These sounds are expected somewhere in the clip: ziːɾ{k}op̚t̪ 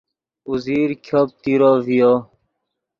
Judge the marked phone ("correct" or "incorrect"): incorrect